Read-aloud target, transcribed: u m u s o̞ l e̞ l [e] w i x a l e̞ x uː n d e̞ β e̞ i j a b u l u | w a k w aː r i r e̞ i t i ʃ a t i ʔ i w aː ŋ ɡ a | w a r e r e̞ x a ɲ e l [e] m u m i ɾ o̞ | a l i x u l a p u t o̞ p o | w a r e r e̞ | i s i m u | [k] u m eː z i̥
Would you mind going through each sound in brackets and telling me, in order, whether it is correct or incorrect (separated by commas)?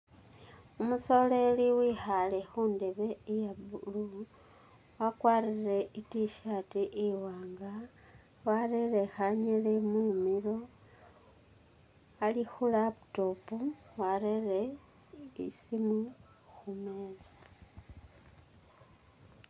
incorrect, correct, incorrect